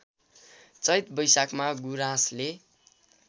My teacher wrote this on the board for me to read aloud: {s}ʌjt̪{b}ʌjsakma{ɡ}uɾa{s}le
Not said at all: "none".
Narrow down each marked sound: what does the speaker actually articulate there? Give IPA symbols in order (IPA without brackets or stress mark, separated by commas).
t͡s, b, ɡ, s